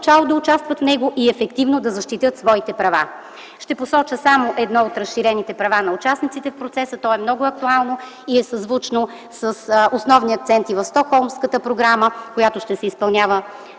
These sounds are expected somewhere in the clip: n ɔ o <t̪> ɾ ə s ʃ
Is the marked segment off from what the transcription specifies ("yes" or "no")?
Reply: no